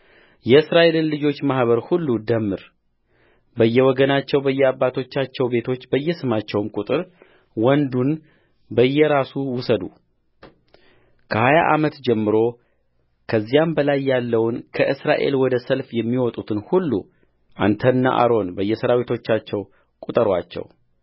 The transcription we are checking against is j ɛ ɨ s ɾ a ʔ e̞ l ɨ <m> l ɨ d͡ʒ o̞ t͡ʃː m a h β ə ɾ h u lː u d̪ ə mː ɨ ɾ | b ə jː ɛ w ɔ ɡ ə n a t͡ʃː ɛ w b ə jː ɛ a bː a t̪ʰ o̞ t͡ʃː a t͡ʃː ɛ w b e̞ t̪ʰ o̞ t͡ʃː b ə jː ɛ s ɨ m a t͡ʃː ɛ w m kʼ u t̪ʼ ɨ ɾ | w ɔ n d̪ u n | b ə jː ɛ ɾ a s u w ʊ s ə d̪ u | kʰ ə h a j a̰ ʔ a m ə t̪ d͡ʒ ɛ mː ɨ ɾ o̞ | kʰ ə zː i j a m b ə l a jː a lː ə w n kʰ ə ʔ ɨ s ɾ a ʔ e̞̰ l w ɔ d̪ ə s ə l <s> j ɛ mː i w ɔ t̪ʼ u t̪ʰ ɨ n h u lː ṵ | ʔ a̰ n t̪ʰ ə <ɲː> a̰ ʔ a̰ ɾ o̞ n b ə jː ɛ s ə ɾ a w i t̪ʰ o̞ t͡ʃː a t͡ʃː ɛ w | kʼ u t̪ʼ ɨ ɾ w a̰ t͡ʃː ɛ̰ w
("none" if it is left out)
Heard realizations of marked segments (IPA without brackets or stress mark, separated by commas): n, f, nː